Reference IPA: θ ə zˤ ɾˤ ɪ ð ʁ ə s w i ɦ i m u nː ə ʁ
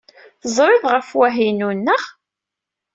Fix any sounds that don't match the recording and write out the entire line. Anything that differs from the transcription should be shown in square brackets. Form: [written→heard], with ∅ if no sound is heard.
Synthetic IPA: θ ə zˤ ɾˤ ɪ ð ʁ ə [s→f] w [i→æ] ɦ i [m→n] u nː ə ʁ